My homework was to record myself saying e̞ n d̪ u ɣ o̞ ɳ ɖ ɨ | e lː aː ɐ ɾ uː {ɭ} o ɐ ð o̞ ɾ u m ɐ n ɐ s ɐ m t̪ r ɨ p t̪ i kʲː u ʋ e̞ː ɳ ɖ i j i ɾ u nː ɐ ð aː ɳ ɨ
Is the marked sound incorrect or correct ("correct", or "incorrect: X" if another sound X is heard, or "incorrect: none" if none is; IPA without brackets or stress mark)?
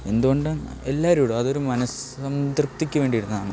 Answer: incorrect: ɽ